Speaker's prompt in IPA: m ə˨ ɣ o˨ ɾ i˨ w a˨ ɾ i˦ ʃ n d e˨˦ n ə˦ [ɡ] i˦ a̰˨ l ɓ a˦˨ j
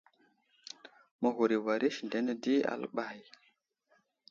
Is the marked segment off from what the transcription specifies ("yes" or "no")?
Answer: yes